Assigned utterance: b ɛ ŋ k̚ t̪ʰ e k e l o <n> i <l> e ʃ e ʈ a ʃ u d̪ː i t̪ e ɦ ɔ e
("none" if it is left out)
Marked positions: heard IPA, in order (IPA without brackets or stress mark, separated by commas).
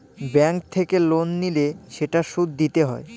nː, l